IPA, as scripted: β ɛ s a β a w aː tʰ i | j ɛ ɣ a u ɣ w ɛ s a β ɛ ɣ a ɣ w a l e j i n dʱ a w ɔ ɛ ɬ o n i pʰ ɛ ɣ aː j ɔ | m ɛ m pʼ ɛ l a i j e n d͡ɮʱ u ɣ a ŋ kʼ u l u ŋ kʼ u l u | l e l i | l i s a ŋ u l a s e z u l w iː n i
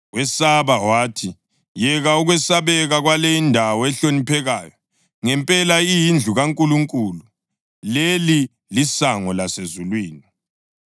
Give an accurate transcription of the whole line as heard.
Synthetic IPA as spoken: w ɛ s a β a w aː tʰ i | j ɛ ɣ a u ɣ w ɛ s a β ɛ ɣ a ɣ w a l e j i n dʱ a w ɔ ɛ ɬ o n i pʰ ɛ ɣ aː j ɔ | ŋ ɛ m pʼ ɛ l a i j i n d͡ɮʱ u ɣ a ŋ kʼ u l u ŋ kʼ u l u | l e l i | l i s a ŋ ɔ l a s e z u l w iː n i